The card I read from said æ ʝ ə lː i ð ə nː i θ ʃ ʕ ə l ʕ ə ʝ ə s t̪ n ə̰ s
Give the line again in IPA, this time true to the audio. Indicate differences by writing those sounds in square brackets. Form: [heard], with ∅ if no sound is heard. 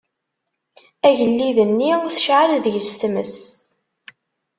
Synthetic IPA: æ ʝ ə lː i ð ə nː i θ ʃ ʕ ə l [ð] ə ʝ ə s t̪ [m] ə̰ s